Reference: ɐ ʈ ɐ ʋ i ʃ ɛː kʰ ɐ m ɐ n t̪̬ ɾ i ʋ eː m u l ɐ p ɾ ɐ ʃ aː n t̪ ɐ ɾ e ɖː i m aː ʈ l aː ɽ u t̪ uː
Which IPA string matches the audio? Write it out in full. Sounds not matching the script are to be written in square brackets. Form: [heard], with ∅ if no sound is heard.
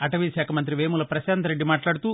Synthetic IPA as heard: ɐ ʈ ɐ ʋ i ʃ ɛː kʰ ɐ m ɐ n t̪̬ ɾ i ʋ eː m u l ɐ p ɾ ɐ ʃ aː n t̪ ɐ ɾ e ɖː i m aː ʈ l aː ɽ u t̪ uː